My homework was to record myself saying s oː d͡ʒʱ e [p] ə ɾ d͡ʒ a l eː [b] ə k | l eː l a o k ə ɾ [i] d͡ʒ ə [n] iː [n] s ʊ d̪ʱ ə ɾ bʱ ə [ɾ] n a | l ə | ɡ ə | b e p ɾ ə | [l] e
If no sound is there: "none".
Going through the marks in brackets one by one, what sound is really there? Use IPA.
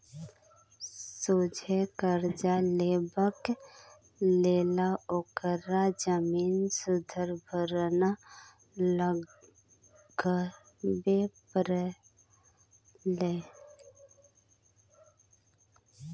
k, b, a, m, n, ɾ, l

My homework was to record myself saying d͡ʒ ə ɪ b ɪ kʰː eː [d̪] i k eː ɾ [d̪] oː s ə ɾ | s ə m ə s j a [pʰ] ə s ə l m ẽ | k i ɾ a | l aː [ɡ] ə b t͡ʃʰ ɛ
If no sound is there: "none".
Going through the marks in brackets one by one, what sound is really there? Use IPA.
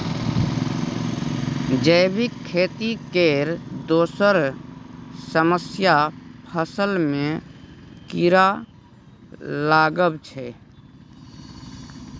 t̪, d̪, pʰ, ɡ

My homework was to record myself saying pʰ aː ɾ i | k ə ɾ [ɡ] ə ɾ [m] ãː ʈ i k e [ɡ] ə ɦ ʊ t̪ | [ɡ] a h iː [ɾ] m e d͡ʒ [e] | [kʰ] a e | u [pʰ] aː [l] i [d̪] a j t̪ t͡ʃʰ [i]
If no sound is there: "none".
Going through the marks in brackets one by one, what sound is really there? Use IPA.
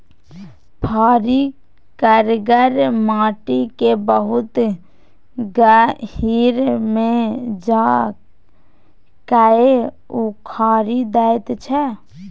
ɡ, m, b, ɡ, ɾ, a, k, kʰ, ɾ, d̪, ɛ

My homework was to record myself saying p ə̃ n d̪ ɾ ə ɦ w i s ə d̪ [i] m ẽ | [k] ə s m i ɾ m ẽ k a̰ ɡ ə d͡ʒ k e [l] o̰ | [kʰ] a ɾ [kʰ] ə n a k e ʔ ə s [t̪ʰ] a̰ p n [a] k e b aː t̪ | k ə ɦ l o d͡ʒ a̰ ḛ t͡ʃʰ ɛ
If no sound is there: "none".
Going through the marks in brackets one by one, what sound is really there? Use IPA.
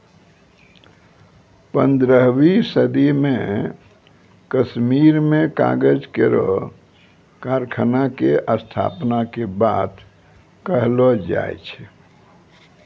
i, k, ɾ, k, kʰ, t̪ʰ, a

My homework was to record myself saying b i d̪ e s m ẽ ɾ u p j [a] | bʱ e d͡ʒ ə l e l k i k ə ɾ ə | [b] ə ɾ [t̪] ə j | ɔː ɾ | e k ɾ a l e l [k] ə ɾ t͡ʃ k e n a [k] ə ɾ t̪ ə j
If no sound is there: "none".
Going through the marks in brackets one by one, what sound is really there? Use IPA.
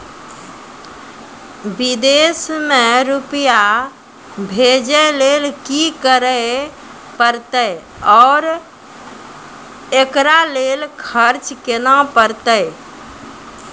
a, p, t̪, kʰ, p

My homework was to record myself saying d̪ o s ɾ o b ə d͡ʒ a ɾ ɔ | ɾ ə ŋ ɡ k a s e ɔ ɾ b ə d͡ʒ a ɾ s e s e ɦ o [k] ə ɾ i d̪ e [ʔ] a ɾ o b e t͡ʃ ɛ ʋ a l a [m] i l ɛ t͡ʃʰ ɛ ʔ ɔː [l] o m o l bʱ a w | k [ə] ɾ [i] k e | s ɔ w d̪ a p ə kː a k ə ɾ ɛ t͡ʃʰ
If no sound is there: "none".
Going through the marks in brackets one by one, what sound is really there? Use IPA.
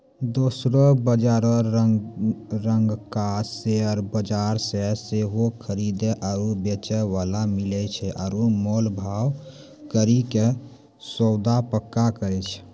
kʰ, ʔ, m, ɾ, ə, i

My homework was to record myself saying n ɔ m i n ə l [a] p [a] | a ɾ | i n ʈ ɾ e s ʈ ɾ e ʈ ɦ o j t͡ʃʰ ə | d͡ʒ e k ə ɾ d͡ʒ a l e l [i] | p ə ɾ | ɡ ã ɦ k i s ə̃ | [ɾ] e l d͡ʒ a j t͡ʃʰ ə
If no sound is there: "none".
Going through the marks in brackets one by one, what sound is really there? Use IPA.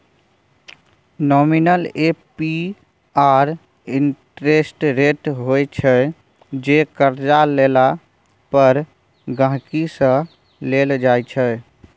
e, i, a, l

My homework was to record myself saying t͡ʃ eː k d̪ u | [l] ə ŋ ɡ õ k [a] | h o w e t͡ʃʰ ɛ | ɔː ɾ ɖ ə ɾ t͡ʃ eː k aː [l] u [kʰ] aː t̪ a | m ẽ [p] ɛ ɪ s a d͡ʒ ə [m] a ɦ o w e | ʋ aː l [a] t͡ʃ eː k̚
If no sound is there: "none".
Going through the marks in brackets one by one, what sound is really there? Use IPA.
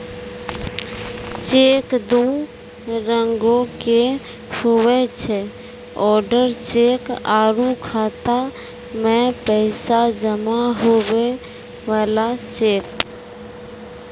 ɾ, e, ɾ, kʰ, p, m, a

